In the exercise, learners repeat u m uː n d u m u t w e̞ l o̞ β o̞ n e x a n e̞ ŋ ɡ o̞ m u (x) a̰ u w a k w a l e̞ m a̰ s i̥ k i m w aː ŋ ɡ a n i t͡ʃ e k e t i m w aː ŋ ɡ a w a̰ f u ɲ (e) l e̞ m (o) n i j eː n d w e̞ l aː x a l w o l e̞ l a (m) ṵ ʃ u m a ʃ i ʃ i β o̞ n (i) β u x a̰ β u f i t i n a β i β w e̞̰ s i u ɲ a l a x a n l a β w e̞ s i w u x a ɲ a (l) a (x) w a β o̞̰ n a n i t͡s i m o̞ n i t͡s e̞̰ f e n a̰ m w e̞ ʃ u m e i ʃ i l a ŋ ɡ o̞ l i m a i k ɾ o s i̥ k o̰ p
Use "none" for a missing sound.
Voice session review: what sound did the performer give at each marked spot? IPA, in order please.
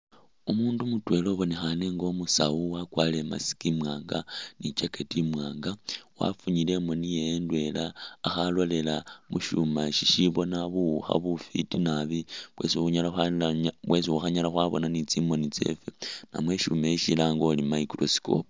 s, i, o, m, a, l, x

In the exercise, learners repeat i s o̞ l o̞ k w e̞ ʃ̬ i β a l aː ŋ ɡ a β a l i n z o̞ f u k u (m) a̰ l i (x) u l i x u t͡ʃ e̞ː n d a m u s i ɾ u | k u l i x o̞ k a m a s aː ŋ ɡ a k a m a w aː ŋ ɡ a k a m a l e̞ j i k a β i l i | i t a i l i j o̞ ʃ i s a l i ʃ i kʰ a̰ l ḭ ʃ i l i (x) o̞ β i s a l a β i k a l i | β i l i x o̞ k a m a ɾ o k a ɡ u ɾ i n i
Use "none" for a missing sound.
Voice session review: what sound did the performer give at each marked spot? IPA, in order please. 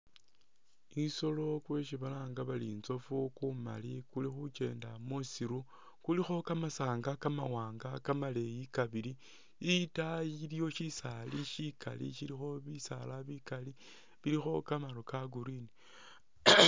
m, k, x

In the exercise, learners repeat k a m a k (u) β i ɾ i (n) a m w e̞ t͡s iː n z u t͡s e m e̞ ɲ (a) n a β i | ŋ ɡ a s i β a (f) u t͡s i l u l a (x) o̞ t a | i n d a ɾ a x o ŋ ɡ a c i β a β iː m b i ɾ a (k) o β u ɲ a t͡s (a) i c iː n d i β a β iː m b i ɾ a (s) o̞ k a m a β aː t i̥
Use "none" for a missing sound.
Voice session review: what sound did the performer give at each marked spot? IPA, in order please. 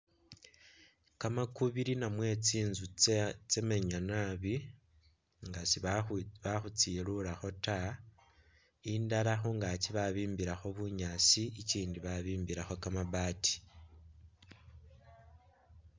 u, n, a, x, x, x, i, x

